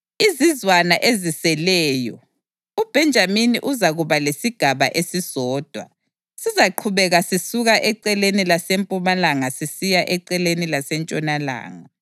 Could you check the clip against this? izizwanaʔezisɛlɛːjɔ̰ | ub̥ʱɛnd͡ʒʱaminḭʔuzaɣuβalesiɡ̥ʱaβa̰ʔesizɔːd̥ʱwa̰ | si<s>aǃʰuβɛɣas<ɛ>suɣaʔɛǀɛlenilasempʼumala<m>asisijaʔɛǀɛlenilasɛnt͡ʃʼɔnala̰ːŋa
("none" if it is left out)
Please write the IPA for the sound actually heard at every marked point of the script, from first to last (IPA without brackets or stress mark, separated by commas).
z, i, ŋ